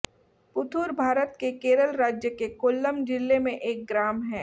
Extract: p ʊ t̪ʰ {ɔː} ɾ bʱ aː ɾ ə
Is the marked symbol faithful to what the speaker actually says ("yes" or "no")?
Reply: no